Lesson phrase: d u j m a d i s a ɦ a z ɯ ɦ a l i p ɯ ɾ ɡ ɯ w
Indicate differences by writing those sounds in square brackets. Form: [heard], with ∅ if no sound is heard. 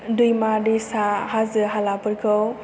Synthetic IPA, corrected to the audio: d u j m a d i s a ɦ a z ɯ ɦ a l [a] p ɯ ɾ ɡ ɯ w

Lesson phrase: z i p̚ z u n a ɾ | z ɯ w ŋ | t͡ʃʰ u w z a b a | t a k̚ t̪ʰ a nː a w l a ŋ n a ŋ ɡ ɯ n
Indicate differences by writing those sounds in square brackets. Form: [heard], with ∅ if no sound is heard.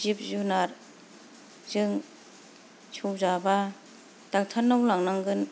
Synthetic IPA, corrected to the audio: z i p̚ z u n a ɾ | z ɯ [∅] ŋ | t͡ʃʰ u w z a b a | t a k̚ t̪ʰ a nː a w l a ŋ n a ŋ ɡ ɯ n

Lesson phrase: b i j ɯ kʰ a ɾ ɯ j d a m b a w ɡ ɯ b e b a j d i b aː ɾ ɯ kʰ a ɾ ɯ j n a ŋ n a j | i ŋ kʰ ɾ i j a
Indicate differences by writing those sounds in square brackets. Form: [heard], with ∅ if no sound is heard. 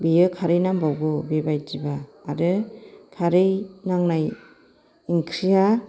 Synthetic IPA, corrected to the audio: b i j ɯ kʰ a ɾ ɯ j [n] a m b a w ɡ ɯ b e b a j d i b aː ɾ ɯ kʰ a ɾ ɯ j n a ŋ n a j | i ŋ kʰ ɾ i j a

